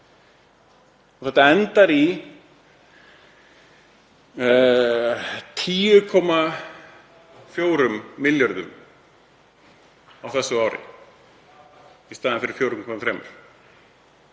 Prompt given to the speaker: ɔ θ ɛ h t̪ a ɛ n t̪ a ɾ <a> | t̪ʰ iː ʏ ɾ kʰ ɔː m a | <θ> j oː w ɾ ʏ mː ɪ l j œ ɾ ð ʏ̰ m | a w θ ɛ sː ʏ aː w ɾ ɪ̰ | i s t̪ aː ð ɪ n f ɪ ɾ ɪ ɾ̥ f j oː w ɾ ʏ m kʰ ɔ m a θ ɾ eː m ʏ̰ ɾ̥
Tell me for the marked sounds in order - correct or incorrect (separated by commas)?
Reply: incorrect, incorrect